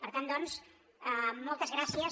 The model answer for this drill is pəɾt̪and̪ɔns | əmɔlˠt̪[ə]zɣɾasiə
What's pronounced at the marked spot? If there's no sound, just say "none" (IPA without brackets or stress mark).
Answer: ə